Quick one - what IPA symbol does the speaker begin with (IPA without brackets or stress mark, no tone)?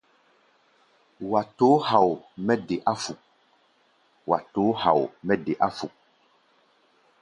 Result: w